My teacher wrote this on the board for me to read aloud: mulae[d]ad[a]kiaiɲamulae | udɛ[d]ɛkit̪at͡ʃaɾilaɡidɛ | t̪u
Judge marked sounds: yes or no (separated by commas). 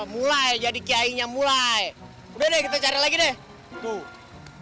no, no, yes